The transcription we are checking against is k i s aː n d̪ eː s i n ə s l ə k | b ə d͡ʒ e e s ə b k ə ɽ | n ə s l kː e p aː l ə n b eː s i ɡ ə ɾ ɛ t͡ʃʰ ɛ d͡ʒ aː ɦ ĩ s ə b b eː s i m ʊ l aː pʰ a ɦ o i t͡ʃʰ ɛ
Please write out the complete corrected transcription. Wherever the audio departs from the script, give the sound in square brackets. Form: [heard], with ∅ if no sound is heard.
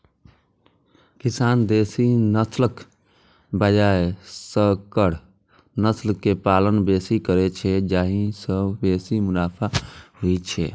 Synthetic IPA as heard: k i s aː n d̪ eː s i n ə s l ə k | b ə d͡ʒ [a] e s ə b k ə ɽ | n ə s l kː e p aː l ə n b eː s i [k] ə ɾ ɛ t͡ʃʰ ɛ d͡ʒ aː ɦ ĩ s ə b b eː s i m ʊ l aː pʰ a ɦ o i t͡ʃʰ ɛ